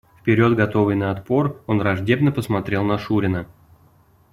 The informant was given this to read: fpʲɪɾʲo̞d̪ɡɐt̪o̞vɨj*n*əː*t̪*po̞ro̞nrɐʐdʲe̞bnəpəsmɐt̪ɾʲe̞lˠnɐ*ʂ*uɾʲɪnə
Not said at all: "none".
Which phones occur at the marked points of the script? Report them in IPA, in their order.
n, t̪, ʂ

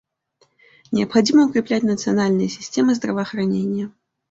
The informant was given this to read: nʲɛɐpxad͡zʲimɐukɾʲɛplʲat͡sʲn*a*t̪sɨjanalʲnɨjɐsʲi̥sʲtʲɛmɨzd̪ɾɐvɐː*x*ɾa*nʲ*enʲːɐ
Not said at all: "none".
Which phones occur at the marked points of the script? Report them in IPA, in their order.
ɐ, x, nʲ

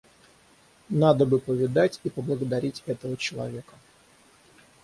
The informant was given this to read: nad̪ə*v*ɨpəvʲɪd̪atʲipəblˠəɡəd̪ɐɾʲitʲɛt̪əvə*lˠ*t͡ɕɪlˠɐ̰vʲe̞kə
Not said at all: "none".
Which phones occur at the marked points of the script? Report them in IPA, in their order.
b, none

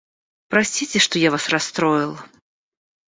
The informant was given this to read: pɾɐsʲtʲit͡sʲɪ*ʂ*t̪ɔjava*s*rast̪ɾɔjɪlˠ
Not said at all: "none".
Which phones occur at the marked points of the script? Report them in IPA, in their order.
ʂ, s

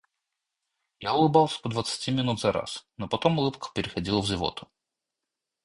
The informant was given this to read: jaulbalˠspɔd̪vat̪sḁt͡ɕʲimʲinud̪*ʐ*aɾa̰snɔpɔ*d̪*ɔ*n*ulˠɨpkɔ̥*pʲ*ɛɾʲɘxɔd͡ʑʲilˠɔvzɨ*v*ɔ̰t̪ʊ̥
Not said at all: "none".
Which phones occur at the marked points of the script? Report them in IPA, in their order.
z, t̪, m, pʲ, v

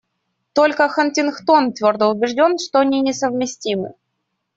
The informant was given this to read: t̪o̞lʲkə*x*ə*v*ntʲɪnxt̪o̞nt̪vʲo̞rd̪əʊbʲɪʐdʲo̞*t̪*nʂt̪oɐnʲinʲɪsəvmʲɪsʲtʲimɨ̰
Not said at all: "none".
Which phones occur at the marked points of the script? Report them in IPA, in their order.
x, none, none

